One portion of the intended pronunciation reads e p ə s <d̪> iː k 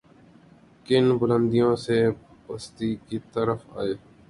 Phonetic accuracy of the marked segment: incorrect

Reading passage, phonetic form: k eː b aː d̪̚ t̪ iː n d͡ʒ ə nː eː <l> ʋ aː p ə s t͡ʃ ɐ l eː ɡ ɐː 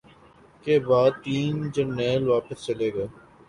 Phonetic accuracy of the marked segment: correct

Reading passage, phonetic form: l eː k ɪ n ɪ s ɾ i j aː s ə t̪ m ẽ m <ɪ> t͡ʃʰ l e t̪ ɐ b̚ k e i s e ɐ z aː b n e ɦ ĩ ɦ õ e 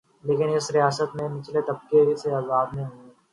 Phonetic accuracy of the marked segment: correct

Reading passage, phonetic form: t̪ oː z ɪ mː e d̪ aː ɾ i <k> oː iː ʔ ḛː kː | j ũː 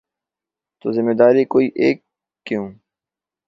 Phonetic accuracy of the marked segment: correct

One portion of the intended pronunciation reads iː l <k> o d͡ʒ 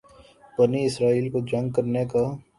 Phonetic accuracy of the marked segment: correct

